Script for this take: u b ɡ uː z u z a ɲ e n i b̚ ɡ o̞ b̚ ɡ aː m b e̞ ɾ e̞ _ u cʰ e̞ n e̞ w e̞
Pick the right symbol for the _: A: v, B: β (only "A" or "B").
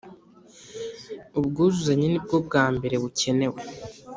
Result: B